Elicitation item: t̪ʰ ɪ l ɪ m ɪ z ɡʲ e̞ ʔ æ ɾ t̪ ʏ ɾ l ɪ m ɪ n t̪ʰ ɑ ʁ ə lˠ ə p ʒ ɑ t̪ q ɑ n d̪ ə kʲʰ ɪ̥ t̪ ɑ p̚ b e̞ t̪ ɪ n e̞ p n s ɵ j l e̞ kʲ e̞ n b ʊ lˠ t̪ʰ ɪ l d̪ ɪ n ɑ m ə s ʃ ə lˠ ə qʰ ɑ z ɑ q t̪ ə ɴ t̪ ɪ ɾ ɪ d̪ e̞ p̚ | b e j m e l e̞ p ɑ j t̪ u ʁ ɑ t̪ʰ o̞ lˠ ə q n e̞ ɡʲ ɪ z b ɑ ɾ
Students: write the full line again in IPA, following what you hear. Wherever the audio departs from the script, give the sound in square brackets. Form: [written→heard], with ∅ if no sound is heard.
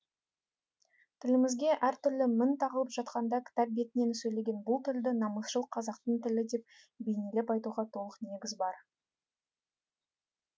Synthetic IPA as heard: t̪ʰ ɪ l ɪ m ɪ z ɡʲ e̞ ʔ æ ɾ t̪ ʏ ɾ l ɪ m ɪ n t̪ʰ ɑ ʁ ə lˠ ə p ʒ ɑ t̪ q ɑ n d̪ [ə→ɑ] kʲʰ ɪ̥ t̪ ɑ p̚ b e̞ t̪ ɪ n e̞ [p→∅] n s ɵ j l e̞ [kʲ→ɡʲ] e̞ n b ʊ lˠ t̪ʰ ɪ l d̪ ɪ n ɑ m ə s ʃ ə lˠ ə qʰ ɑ z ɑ q t̪ ə ɴ t̪ ɪ [ɾ→l] ɪ d̪ e̞ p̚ | b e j [m→n] e l e̞ p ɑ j t̪ u ʁ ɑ t̪ʰ o̞ lˠ ə q n e̞ ɡʲ ɪ z b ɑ ɾ